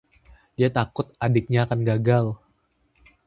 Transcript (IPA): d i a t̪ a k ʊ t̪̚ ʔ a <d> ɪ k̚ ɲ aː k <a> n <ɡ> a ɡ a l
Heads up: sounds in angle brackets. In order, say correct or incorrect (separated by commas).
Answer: correct, correct, correct